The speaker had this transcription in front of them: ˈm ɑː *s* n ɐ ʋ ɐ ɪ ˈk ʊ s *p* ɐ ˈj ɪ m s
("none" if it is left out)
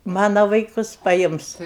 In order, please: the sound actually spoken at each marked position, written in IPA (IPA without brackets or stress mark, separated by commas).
none, p